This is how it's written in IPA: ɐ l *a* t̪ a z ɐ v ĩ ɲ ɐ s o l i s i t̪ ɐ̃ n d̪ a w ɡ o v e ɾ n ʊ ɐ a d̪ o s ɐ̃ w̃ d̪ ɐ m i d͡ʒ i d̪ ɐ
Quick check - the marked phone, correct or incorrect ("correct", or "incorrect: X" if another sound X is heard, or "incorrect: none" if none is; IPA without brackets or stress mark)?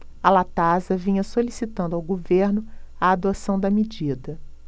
correct